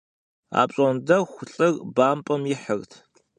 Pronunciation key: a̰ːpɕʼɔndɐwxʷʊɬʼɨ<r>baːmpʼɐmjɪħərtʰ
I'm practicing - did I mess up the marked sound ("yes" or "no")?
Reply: no